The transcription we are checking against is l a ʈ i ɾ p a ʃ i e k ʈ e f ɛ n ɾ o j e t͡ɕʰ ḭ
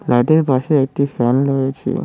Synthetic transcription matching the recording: l a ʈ e ɾ p a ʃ e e k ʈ i f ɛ n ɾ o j e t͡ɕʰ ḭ